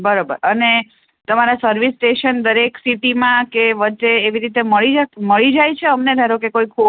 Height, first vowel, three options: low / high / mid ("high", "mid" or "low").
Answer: mid